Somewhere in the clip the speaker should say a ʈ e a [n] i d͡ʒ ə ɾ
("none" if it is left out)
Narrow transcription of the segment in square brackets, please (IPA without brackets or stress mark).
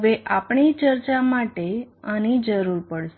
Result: n